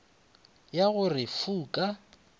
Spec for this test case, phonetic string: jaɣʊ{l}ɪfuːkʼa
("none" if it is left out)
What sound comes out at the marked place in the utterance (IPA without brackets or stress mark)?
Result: r